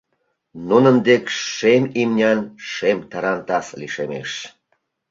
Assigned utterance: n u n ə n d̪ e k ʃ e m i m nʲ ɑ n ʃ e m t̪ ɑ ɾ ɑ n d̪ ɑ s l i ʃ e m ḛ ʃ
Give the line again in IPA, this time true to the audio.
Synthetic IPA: n u n ə n d̪ e k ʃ e m i m nʲ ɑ n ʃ e m t̪ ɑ ɾ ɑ n t̪ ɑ s l i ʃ e m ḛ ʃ

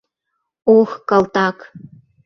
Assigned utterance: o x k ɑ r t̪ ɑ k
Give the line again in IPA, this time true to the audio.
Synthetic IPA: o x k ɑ l t̪ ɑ k

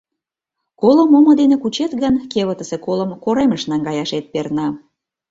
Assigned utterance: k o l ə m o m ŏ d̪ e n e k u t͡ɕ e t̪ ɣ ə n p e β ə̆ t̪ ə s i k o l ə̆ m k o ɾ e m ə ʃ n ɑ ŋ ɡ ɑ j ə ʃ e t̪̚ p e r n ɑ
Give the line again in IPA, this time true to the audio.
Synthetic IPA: k o l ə m o m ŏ d̪ e n e k u t͡ɕ e t̪ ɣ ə n k e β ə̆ t̪ ə s e k o l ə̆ m k o ɾ e m ə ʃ n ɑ ŋ ɡ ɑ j ɑ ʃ e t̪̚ p e r n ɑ

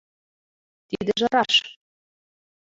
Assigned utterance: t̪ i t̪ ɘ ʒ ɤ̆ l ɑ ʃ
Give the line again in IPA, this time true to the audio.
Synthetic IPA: t̪ i d̪ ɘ ʒ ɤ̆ ɾ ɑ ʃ

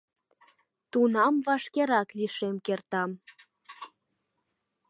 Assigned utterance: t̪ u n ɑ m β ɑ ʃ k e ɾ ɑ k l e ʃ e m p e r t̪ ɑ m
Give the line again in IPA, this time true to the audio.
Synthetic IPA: t̪ u n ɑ m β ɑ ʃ k e ɾ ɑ k l i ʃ e m k e r t̪ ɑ m

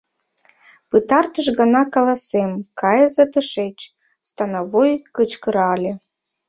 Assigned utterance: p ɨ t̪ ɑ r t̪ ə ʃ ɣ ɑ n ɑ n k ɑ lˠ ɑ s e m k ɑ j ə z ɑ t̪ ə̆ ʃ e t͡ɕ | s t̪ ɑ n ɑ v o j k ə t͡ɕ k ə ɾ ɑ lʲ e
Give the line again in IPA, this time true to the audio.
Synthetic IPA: p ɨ t̪ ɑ r t̪ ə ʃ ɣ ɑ n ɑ k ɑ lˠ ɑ s e m k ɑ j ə z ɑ t̪ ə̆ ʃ e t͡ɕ | s t̪ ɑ n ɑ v o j k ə t͡ɕ k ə ɾ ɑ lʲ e

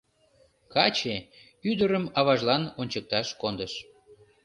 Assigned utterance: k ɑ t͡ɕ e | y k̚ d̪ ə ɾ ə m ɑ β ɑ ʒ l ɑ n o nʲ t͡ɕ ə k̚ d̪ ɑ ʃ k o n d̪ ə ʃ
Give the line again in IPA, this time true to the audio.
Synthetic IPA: k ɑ t͡ɕ e | y d̪ ə ɾ ə m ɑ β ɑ ʒ l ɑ n o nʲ t͡ɕ ə k̚ t̪ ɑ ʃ k o n d̪ ə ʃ

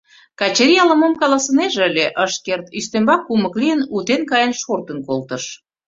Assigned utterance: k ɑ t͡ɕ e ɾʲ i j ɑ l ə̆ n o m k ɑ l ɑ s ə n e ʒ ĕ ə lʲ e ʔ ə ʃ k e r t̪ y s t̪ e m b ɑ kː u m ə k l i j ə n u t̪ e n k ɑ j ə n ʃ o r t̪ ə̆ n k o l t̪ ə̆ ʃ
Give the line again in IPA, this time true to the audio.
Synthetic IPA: k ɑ t͡ɕ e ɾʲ i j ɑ l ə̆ m o m k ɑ l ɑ s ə n e ʒ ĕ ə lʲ e ʔ ə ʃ k e r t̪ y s t̪ e m b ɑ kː u m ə k l i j ə n u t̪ e n k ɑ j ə n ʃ o r t̪ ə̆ n k o l t̪ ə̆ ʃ

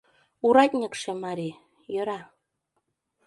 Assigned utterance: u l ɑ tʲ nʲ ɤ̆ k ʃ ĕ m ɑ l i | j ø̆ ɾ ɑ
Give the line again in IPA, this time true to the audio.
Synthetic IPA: u ɾ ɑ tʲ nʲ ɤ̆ k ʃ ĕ m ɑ ɾ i | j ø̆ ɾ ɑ

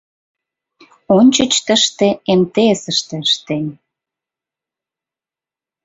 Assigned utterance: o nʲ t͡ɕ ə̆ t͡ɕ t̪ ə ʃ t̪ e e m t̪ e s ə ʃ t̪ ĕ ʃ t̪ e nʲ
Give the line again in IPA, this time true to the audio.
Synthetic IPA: o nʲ t͡ɕ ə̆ t͡ɕ t̪ ə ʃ t̪ e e m t̪ e s ə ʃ t̪ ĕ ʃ t̪ e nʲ

